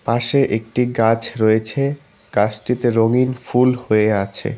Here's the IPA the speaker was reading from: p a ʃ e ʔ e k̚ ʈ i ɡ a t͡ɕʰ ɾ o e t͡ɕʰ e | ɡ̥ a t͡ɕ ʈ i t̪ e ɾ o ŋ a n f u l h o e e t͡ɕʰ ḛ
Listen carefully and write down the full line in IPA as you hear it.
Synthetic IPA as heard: p a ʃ e ʔ e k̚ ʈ i ɡ a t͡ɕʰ ɾ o e t͡ɕʰ e | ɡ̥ a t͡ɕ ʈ i t̪ e ɾ o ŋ i n f u l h o e a t͡ɕʰ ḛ